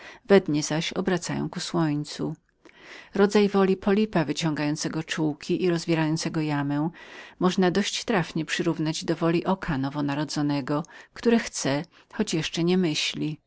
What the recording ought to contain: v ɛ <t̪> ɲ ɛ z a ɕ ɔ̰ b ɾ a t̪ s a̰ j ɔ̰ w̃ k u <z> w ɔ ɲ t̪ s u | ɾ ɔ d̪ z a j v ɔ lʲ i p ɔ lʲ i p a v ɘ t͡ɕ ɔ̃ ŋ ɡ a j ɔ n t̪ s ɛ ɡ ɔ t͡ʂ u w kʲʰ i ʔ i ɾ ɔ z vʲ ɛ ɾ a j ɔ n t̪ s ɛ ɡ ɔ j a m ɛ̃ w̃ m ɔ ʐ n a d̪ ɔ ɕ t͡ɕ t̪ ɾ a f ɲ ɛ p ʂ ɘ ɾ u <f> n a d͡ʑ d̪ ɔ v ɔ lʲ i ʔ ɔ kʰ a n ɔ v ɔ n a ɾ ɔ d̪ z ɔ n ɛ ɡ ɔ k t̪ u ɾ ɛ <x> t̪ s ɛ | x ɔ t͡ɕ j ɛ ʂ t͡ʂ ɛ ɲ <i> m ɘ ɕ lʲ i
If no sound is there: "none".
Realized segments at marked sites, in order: d̪, s, v, x, ɛ

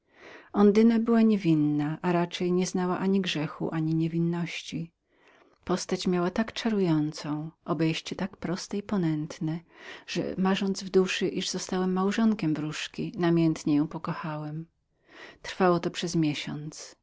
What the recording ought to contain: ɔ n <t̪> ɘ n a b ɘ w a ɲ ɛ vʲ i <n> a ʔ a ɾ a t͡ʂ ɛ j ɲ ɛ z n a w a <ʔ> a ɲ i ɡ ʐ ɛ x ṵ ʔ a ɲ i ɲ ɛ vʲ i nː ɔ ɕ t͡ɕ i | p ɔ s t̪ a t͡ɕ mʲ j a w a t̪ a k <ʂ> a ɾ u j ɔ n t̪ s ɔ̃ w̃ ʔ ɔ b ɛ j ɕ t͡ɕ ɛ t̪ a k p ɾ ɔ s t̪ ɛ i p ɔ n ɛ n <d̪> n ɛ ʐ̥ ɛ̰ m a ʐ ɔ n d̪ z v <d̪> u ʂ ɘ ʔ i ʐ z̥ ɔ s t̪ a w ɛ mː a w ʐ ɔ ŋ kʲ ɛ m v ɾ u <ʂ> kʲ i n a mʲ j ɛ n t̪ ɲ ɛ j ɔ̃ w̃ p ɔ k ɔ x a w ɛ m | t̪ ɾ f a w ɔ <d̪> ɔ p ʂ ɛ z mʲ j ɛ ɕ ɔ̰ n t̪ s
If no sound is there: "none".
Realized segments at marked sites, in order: d̪, nː, ʔ, t͡ʂ, t̪, d̪, ʂ, t̪

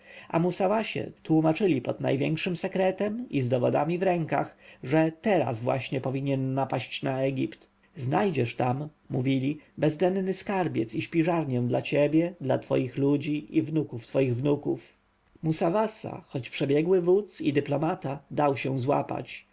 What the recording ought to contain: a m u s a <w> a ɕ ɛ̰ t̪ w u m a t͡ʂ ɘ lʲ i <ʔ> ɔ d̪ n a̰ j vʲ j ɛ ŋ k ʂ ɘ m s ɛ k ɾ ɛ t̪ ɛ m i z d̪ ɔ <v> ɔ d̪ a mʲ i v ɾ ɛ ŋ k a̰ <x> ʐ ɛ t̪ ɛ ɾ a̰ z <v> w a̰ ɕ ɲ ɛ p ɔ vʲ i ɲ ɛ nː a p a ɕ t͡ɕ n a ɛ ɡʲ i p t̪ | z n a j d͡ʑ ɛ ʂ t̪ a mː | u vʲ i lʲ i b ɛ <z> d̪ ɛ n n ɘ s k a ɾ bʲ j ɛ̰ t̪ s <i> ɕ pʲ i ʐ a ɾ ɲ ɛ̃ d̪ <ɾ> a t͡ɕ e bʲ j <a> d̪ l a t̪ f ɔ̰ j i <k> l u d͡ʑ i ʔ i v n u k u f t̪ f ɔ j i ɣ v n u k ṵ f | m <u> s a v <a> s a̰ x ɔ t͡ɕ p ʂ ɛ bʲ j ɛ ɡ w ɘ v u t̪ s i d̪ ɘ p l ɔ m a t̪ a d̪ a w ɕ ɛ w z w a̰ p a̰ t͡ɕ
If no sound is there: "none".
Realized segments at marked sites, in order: v, p, v, x, v, z, i, l, ɛ, x, u, a

